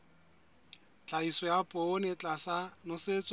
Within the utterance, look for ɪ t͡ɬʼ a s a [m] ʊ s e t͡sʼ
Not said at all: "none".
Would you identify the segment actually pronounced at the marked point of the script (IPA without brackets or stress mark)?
n